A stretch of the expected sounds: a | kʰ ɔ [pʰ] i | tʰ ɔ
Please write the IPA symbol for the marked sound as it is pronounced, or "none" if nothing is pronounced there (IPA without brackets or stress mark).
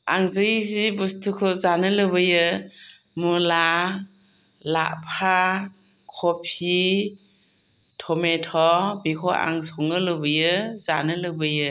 pʰ